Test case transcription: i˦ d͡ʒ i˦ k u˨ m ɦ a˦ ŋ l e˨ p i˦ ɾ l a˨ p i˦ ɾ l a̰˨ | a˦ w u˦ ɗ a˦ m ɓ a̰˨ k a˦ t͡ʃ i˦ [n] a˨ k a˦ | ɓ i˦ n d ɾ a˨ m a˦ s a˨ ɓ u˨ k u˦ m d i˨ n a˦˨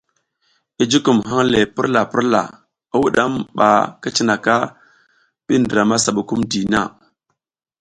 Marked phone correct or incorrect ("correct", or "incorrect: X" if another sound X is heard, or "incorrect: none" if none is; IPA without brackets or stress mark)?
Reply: correct